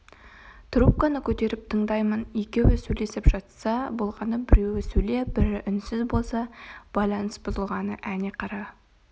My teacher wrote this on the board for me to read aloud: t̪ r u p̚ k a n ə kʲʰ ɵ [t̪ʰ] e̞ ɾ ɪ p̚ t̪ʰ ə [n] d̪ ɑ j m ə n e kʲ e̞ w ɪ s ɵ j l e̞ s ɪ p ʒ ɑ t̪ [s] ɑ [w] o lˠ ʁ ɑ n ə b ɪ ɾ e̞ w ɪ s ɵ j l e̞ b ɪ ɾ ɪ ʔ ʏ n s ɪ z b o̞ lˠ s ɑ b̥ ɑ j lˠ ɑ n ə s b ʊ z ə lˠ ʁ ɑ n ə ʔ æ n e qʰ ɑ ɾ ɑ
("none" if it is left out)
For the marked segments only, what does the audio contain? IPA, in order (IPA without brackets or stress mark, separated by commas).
t̪, ɴ, s, b